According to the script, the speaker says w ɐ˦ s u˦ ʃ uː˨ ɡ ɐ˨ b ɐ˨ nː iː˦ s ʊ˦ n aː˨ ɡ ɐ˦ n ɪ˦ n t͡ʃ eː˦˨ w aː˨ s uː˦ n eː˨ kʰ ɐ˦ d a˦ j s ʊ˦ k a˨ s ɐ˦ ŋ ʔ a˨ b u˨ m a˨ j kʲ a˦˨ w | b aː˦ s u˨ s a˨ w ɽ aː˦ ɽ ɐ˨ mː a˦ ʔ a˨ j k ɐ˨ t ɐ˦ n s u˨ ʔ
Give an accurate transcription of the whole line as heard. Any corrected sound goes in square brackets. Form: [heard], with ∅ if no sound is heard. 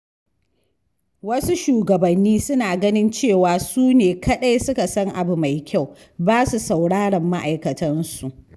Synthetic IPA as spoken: w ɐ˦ s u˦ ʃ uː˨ ɡ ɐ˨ b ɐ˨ nː iː˦ s ʊ˦ n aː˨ ɡ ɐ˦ n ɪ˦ n t͡ʃ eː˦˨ w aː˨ s uː˦ n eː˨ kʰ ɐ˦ [ɗ] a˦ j s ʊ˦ k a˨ s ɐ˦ ŋ ʔ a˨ b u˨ m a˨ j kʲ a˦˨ w | b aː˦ s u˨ s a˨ w ɽ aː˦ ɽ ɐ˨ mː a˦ ʔ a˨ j k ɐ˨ t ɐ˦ n s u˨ ʔ